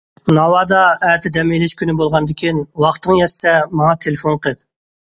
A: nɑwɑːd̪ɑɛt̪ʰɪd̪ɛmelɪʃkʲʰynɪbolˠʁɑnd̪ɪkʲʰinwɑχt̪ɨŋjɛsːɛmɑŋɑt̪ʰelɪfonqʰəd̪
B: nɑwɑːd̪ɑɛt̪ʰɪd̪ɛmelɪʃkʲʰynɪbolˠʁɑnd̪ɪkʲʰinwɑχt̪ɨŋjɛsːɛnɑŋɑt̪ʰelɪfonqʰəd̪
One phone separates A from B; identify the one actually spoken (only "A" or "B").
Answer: A